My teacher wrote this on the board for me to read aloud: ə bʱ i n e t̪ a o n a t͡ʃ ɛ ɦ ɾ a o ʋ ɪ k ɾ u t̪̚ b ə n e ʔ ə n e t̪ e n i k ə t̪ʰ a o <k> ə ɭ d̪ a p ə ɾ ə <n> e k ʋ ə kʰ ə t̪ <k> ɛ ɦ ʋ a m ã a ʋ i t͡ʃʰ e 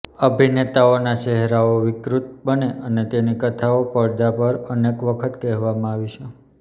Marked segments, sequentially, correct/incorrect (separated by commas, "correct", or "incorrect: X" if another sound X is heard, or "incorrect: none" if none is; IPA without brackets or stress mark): incorrect: p, correct, correct